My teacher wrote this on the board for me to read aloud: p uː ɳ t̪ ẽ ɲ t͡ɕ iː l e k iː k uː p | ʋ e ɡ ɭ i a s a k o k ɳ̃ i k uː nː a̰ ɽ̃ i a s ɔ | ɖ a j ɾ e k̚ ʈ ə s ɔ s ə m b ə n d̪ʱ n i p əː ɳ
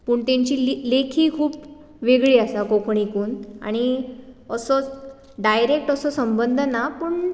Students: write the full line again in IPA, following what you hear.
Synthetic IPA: p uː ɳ t̪ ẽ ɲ t͡ɕ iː l e kʰ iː kʰ uː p | ʋ e ɡ ɭ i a s a k o k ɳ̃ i k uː n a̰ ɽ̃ i ə s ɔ | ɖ a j ɾ e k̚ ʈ ə s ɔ s ə m b ə n d̪ʱ n a p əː ɳ